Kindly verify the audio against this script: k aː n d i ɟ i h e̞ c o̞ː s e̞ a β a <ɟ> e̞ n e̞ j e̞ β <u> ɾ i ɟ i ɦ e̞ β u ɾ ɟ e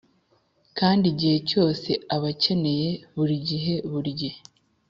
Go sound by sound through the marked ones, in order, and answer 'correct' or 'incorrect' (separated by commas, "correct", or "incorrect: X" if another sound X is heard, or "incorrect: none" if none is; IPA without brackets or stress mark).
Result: incorrect: c, correct